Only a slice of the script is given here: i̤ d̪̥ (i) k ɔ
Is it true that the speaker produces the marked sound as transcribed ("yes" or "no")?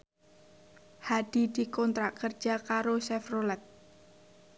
yes